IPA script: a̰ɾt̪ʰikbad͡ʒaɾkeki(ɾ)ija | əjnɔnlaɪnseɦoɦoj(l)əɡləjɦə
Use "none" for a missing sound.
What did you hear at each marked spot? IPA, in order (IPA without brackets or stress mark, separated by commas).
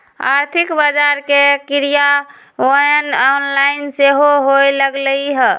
ɾ, l